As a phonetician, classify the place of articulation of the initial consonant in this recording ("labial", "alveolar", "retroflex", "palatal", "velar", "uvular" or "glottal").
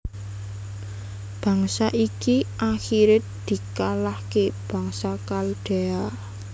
labial